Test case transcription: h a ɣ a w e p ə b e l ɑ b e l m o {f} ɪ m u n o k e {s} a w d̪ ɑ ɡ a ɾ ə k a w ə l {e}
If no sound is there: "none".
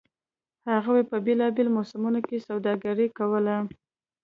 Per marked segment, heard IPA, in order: s, s, a

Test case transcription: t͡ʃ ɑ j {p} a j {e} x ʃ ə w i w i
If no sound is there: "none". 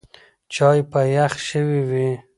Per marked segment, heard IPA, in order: p, a

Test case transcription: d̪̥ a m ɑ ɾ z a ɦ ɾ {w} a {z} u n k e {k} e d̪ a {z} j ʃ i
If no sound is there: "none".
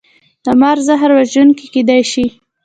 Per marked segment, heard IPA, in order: w, ʒ, k, none

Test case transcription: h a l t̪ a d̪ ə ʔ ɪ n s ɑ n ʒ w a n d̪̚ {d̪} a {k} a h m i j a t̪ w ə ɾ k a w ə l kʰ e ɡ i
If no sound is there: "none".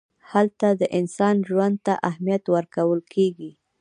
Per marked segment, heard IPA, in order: t̪, ʔ

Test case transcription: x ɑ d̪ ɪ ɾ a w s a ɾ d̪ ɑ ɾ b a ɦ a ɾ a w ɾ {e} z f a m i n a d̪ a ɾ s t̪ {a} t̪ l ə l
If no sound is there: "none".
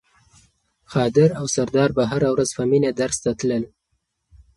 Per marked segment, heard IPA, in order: a, a

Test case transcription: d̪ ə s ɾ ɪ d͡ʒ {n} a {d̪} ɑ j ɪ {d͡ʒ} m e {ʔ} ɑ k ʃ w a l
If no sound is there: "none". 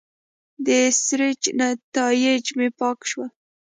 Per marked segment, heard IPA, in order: n, t̪, d͡ʒ, p

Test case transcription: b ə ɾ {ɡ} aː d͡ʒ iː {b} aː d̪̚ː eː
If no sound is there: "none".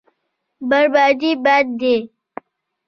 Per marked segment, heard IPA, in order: b, b

